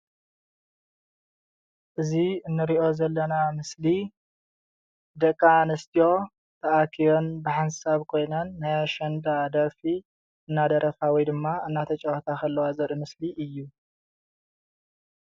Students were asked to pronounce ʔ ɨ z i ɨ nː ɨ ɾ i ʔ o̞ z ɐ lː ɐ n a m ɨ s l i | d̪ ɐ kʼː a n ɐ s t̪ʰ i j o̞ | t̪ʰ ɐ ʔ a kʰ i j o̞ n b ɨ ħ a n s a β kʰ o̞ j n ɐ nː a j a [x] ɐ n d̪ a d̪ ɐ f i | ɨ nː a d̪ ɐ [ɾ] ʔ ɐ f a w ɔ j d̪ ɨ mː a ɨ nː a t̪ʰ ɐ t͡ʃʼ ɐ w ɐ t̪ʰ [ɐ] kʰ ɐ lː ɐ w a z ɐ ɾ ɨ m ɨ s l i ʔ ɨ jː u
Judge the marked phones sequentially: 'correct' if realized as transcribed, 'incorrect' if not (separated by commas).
incorrect, correct, incorrect